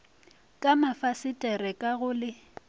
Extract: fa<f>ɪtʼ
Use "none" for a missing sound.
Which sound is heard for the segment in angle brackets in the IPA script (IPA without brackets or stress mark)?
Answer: s